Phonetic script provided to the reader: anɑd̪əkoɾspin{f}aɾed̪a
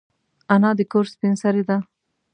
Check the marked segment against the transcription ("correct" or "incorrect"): incorrect